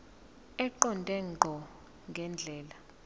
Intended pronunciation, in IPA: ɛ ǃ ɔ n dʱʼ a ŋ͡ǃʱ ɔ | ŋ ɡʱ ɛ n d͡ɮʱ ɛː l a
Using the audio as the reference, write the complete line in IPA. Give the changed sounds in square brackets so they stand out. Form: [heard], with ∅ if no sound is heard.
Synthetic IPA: ɛ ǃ ɔ n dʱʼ [ɛ] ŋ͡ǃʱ ɔ | ŋ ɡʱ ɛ n d͡ɮʱ ɛː l a